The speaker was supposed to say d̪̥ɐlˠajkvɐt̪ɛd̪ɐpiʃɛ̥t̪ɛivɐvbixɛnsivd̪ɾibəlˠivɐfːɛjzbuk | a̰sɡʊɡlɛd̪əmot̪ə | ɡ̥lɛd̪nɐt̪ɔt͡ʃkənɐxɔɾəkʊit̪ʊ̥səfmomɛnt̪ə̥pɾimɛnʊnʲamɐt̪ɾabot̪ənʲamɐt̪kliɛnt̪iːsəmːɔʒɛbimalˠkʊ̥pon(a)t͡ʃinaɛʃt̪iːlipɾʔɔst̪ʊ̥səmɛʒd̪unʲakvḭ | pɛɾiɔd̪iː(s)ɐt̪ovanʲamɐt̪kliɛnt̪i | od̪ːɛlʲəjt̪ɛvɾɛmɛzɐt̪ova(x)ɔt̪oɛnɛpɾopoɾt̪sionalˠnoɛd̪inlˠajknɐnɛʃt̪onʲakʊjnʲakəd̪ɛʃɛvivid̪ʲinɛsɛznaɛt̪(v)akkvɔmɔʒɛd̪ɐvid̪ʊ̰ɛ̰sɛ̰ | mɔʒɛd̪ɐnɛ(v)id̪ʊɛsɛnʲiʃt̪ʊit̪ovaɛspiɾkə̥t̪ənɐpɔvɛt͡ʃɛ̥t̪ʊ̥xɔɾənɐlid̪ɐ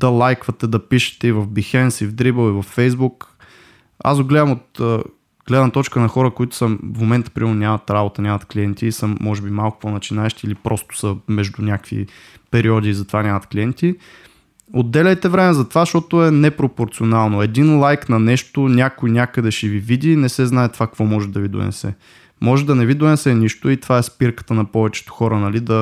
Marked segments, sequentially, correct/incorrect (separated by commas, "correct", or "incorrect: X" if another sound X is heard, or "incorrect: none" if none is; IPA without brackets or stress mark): incorrect: ɐ, incorrect: z, incorrect: ʃ, correct, correct